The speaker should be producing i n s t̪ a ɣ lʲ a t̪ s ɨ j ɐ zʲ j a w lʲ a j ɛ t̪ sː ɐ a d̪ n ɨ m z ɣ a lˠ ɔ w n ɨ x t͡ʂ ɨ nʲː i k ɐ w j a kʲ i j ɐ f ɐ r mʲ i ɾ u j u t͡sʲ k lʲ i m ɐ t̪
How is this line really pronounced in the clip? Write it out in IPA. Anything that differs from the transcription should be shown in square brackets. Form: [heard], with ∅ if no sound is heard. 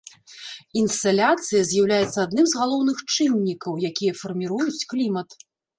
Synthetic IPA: i n s t̪ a [∅] lʲ a t̪ s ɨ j ɐ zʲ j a w lʲ a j ɛ t̪ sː ɐ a d̪ n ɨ m z ɣ a lˠ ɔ w n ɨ x t͡ʂ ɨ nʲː i k ɐ w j a kʲ i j ɐ f ɐ r mʲ i ɾ u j u t͡sʲ k lʲ i m ɐ t̪

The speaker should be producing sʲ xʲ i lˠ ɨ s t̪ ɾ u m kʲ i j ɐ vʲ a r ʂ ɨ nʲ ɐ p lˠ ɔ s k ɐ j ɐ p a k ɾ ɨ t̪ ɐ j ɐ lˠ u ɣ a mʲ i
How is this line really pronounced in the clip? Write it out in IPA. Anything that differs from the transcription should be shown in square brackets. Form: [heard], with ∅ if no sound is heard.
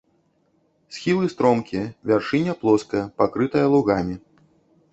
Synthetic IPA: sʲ xʲ i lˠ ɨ s t̪ ɾ [ɔ] m kʲ i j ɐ vʲ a r ʂ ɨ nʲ ɐ p lˠ ɔ s k ɐ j ɐ p a k ɾ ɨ t̪ ɐ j ɐ lˠ u ɣ a mʲ i

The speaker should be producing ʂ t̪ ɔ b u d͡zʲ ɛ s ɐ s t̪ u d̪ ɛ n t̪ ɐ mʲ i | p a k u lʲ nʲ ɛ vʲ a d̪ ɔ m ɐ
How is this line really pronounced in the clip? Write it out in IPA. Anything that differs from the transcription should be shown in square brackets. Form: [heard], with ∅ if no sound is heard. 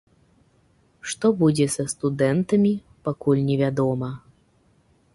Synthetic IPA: ʂ t̪ ɔ b u d͡zʲ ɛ s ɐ s t̪ u d̪ ɛ n t̪ ɐ mʲ i | p a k u lʲ nʲ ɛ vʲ a d̪ ɔ m ɐ

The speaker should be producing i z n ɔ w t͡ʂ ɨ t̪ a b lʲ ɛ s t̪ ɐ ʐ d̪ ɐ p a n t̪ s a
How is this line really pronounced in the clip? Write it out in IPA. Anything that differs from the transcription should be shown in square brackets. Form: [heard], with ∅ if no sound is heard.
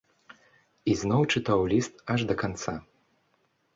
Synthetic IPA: i z n ɔ w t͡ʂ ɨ t̪ a [w] lʲ [i] s t̪ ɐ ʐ d̪ ɐ [k] a n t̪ s a

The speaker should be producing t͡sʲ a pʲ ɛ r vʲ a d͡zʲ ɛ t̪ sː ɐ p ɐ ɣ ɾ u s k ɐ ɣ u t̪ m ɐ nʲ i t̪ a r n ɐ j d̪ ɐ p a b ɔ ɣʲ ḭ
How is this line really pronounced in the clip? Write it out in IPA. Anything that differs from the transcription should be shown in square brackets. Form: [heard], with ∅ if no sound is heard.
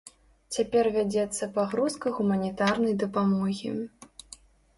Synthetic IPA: t͡sʲ a pʲ ɛ r vʲ a d͡zʲ ɛ t̪ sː ɐ p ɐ ɣ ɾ u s k ɐ ɣ u [∅] m ɐ nʲ i t̪ a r n ɐ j d̪ ɐ p a [m] ɔ ɣʲ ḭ

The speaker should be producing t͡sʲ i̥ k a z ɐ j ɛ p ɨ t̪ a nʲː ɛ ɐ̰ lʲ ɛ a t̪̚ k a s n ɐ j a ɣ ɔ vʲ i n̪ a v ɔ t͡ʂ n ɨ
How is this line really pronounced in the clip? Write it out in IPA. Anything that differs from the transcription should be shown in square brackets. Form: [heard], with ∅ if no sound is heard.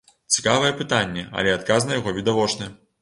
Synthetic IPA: t͡sʲ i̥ k a [v] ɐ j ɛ p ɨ t̪ a nʲː ɛ ɐ̰ lʲ ɛ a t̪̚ k a [z] n ɐ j a ɣ ɔ vʲ i [d̪] a v ɔ t͡ʂ n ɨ

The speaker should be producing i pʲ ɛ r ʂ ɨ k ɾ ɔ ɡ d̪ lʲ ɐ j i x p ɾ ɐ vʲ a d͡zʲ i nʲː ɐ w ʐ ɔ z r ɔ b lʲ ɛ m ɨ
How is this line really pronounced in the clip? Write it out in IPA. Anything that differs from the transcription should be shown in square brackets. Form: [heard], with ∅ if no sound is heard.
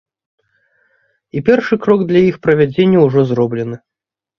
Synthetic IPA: i pʲ ɛ r ʂ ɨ k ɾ ɔ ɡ d̪ lʲ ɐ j i x p ɾ ɐ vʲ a d͡zʲ [e] nʲː ɐ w ʐ ɔ z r ɔ b lʲ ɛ [n] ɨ

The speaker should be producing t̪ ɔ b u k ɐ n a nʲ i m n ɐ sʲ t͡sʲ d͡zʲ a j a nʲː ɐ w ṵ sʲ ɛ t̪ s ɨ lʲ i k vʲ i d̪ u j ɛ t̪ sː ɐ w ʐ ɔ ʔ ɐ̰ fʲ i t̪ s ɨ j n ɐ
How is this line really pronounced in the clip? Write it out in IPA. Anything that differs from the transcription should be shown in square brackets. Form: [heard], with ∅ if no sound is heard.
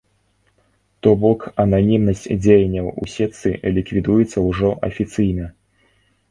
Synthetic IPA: t̪ ɔ b [ɔ] k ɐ n a nʲ i m n ɐ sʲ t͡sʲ d͡zʲ [e] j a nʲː ɐ w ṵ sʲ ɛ t̪ s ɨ lʲ i k vʲ i d̪ u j ɛ t̪ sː ɐ w ʐ ɔ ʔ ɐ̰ fʲ i t̪ s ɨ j n ɐ

